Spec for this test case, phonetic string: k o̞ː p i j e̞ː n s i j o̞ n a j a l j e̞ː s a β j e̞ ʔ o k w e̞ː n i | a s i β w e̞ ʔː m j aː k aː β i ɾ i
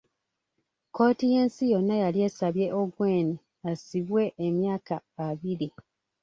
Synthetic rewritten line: k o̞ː t i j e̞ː n s i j o̞ nː a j a l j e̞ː s a β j e̞ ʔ o ɡ w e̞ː n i | a s i β w e̞ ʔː m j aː k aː β i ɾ i